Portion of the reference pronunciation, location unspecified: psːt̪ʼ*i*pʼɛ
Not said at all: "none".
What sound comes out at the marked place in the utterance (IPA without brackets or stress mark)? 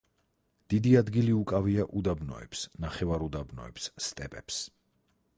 ɛ